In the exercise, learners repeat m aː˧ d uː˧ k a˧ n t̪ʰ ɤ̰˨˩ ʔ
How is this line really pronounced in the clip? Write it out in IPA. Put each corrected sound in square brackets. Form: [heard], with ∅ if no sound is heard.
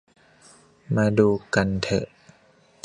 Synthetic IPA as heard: m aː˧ d uː˧ k a˧ n t̪ʰ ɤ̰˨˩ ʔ